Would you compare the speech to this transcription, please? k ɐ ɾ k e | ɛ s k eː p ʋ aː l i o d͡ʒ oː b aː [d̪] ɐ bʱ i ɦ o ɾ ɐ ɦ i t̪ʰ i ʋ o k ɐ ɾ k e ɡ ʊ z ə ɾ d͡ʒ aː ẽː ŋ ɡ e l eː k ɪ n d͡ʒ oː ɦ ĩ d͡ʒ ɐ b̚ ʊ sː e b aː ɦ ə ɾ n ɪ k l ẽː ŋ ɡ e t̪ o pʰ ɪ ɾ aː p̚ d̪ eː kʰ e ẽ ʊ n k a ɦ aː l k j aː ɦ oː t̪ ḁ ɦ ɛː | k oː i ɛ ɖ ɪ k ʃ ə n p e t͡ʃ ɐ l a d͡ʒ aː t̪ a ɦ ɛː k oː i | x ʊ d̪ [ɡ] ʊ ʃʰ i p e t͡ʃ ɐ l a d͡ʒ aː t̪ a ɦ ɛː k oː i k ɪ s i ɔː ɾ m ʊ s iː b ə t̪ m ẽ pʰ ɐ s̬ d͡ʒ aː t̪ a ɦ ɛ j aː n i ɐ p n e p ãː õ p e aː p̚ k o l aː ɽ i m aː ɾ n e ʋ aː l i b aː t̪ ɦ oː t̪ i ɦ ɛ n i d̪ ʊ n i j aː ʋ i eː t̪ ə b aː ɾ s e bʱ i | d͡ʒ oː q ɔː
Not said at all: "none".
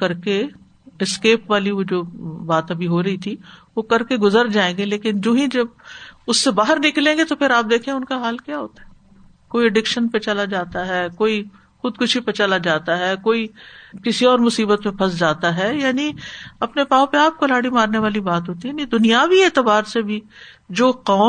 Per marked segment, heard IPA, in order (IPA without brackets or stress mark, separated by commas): t̪, k